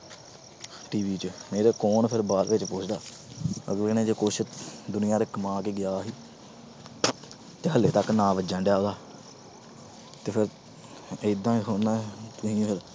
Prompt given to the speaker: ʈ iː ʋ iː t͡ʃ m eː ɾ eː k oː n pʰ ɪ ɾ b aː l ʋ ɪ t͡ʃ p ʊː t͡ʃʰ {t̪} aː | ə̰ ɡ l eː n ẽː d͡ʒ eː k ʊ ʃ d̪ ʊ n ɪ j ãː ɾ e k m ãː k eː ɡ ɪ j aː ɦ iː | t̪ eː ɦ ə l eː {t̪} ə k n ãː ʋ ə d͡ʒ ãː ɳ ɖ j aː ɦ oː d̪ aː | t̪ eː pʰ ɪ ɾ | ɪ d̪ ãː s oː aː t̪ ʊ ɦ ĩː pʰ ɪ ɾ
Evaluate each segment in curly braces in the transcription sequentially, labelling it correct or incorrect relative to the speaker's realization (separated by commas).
incorrect, correct